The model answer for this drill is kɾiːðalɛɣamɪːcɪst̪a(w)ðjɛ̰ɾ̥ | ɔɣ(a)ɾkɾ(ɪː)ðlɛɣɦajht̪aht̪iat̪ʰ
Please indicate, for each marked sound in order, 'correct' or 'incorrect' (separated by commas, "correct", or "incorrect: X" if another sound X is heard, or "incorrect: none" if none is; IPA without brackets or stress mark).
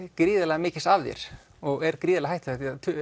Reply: incorrect: v, incorrect: ɛ, incorrect: iː